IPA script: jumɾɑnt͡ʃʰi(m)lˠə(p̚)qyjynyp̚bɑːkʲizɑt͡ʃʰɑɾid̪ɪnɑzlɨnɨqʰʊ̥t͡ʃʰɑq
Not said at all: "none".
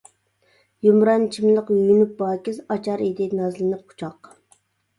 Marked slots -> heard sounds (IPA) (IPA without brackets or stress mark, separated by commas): m, none